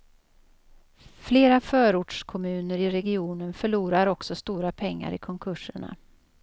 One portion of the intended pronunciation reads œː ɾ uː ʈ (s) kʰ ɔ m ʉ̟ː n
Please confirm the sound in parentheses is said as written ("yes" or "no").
no